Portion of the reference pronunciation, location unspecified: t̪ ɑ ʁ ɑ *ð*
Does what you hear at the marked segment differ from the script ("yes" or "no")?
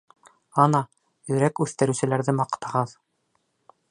no